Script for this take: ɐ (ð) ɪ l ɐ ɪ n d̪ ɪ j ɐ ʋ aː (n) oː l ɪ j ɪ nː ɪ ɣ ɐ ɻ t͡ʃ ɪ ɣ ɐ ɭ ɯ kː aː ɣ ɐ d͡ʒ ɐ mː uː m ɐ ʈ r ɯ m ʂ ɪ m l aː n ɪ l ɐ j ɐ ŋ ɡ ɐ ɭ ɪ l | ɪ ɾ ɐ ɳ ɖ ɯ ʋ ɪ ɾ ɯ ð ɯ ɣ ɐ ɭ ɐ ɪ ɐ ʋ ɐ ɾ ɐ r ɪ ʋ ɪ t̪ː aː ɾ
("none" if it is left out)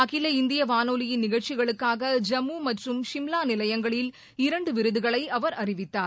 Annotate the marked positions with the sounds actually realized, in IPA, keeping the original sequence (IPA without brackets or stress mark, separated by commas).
ɣ, n